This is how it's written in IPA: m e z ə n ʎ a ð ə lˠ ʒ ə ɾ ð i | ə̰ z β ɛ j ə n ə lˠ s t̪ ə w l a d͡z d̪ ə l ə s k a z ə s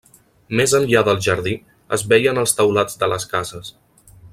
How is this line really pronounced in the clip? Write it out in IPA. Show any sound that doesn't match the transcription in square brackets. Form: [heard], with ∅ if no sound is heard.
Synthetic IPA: m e z ə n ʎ a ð ə lˠ ʒ ə ɾ ð i | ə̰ z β ɛ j ə n ə lˠ s t̪ ə w l a d͡z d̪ ə l ə s k a z ə s